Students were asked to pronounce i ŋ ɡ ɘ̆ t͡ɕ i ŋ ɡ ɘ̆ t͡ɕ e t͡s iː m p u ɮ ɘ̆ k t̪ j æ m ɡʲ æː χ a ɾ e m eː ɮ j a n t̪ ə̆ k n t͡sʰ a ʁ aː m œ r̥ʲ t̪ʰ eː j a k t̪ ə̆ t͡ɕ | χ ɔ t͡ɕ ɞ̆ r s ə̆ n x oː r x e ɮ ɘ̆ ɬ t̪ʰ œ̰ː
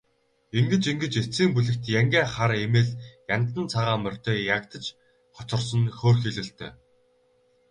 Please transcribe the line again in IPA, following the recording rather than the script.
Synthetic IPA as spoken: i ŋ ɡ ɘ̆ t͡ɕ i ŋ ɡ ɘ̆ t͡ɕ e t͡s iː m p u ɮ ɘ̆ k t̪ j æ ŋ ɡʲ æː χ a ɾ e m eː ɮ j a n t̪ ə̆ n t͡sʰ a ʁ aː m œ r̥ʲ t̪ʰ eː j a k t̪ ə̆ t͡ɕ | χ ɔ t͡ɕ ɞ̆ r s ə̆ n x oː r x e ɮ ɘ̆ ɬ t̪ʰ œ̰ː

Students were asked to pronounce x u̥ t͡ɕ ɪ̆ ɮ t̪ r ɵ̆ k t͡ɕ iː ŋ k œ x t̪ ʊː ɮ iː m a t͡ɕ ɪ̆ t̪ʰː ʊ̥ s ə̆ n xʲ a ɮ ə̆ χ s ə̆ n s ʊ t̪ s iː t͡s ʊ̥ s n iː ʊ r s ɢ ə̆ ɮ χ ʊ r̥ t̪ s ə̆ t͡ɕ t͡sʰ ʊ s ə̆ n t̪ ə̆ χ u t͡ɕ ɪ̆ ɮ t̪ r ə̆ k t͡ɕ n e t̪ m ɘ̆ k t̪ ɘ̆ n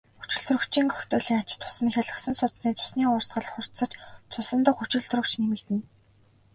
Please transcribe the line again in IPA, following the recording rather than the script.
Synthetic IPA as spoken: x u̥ t͡ɕ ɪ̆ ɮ t̪ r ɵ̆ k t͡ɕ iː ŋ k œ x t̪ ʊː ɮ iː ŋ a t͡ɕ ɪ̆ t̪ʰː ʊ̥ s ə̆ n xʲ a ɮ ə̆ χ s ə̆ n s ʊ t̪ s iː t͡s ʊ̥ s n iː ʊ r s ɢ ə̆ ɮ χ ʊ r̥ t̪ s ə̆ t͡ɕ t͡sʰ ʊ s ə̆ n t̪ ə̆ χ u t͡ɕ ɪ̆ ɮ t̪ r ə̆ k t͡ɕ n e m ɘ̆ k t̪ ɘ̆ n

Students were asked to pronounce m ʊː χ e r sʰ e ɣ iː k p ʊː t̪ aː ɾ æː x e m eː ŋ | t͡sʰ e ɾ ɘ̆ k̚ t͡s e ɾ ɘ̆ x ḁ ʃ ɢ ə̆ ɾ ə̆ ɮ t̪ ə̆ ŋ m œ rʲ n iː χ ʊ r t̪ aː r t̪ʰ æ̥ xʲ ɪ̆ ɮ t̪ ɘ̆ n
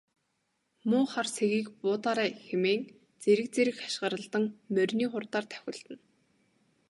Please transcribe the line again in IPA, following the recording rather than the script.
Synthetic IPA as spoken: m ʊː χ a r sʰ e ɣ iː k p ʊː t̪ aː ɾ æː x e m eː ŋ | t͡s e ɾ ɘ̆ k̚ t͡s e ɾ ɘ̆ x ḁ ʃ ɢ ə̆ ɾ ə̆ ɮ t̪ ə̆ ŋ m œ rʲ n iː χ ʊ r t̪ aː r t̪ʰ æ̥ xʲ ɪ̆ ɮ t̪ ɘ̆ n

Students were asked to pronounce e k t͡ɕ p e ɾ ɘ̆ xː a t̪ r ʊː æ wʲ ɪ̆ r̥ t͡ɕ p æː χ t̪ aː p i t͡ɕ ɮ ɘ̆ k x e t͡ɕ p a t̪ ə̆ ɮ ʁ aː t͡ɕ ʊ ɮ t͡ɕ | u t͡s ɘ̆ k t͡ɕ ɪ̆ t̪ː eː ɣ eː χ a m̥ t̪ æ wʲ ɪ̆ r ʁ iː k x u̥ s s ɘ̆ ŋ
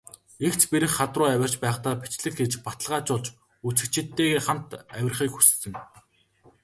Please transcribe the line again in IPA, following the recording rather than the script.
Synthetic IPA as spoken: e k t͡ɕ p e ɾ ɘ̆ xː a t̪ r ʊː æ wʲ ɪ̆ r̥ t͡ɕ p æː χ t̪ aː p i t͡ɕ ɮ ɘ̆ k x e t͡ɕ p a t̪ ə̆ ɮ ʁ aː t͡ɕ ʊ ɮ t͡ɕ | u t͡s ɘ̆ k t͡ɕ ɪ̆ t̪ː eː ɣ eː χ a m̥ t̪ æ wʲ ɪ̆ r χ iː k x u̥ s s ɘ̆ ŋ

